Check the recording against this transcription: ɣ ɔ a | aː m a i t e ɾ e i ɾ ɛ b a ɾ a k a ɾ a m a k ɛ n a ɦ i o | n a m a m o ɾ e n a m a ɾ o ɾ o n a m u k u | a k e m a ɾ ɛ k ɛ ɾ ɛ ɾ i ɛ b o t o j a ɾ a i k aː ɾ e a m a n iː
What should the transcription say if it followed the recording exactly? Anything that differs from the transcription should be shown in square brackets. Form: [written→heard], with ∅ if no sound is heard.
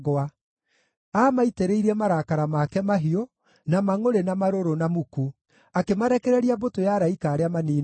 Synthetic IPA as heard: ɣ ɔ a | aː m a i t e ɾ e i ɾ ɛ [b→m] a ɾ a k a ɾ a m a k ɛ [n→m] a ɦ i o | n a m a [m→ŋ] o ɾ e n a m a ɾ o ɾ o n a m u k u | a k e m a ɾ ɛ k ɛ ɾ ɛ ɾ i [ɛ→a] b o t o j a ɾ a i k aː ɾ e a m a n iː